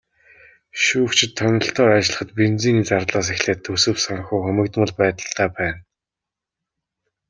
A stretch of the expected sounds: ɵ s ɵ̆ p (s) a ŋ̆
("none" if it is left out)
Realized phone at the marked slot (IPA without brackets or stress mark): s